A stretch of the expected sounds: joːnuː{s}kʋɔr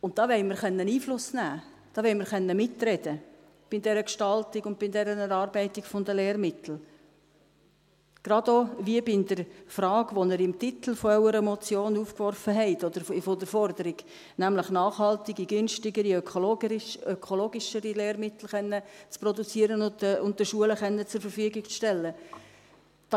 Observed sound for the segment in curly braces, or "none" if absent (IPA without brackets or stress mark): f